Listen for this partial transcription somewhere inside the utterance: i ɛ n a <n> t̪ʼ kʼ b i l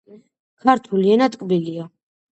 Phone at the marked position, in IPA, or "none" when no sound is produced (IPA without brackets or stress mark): none